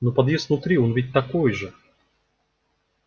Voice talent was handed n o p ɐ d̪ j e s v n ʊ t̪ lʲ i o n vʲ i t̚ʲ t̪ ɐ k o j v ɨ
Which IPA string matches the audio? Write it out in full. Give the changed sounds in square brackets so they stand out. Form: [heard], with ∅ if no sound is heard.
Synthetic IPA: n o p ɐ d̪ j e s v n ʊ t̪ [ɾʲ] i o n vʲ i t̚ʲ t̪ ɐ k o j [ʐ] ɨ